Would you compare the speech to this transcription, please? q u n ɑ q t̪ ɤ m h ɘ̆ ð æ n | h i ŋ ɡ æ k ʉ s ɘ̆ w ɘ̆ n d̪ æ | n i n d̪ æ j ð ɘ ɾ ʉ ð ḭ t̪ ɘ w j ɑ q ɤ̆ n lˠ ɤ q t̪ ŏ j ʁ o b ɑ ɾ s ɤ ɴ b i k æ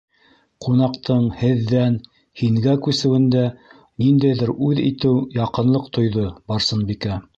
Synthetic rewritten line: q u n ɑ q t̪ ɤ ɴ h ɘ̆ ðː æ n | h i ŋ ɡ æ k ʉ s ɘ̆ w ɘ̆ n d̪ æ | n i n d̪ æ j ð ɘ ɾ ʉ ð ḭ t̪ ɘ w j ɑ q ɤ̆ n lˠ ɤ q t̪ ŏ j ð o b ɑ ɾ s ɤ n b i k æ